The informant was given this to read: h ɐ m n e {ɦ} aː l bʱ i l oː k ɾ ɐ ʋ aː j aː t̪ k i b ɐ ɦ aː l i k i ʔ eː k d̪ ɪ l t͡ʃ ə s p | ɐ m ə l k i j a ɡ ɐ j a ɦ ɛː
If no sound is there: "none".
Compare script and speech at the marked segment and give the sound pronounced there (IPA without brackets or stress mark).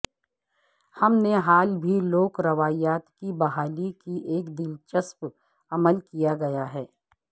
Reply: ɦ